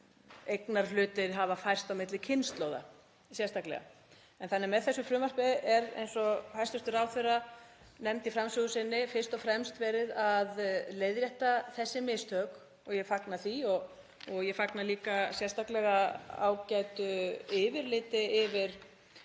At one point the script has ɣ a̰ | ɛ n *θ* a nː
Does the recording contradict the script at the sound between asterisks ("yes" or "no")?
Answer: no